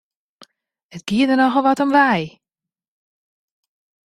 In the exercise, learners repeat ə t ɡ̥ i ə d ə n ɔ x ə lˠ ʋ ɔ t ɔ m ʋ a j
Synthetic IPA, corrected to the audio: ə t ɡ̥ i ə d ə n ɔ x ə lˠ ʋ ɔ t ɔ m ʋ ɛ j